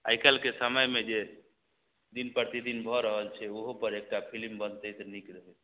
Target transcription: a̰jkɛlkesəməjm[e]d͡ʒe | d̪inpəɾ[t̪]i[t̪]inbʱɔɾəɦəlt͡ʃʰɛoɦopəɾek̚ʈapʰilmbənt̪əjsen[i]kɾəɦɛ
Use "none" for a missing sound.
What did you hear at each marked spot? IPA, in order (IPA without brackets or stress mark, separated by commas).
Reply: e, t̪, d̪, i